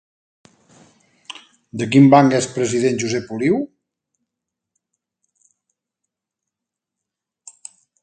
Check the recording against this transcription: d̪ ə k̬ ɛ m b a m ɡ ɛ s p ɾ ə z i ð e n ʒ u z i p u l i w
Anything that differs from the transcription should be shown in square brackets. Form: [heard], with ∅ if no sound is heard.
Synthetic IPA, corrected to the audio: d̪ ə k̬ [i] m b a [ŋ] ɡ ɛ s p ɾ ə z i ð e n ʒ u z [ɛ] p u l i w